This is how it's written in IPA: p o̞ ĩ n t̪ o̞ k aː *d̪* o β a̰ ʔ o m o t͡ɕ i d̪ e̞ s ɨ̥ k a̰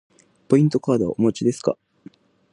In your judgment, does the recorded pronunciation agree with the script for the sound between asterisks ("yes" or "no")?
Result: yes